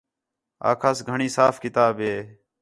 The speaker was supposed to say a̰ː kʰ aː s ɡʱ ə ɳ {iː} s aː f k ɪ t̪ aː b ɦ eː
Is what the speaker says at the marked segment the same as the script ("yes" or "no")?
yes